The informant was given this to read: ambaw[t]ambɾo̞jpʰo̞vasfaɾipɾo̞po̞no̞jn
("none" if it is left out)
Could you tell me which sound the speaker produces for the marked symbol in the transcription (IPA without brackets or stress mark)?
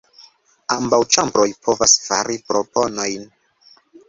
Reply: t͡ʃ